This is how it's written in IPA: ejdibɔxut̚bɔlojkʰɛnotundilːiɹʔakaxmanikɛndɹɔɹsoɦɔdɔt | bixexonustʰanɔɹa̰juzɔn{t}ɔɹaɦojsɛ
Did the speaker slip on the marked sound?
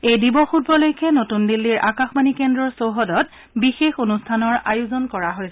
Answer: yes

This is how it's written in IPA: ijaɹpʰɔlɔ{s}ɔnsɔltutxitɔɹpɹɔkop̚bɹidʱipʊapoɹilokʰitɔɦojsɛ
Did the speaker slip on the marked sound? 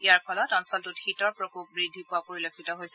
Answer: yes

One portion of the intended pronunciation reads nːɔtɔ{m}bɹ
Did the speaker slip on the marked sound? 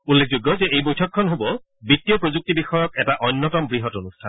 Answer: no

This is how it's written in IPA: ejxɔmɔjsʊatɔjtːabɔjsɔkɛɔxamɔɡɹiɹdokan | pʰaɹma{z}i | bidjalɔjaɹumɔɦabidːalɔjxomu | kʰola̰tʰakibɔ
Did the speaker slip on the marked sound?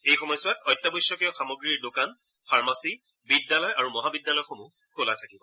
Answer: yes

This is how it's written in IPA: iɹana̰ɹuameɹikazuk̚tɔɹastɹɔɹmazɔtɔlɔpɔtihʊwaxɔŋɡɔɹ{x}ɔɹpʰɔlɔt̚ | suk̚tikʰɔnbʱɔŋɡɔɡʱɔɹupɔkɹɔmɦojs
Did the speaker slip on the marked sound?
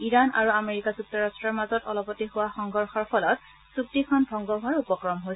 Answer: no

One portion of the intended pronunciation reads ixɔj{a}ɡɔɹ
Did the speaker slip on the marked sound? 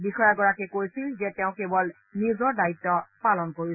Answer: no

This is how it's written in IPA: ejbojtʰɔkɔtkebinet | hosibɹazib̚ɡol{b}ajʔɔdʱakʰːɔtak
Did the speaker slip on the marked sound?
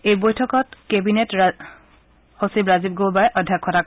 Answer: no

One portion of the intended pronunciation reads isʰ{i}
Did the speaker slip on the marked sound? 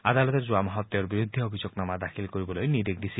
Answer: no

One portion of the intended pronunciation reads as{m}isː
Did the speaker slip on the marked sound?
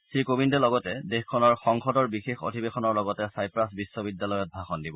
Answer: yes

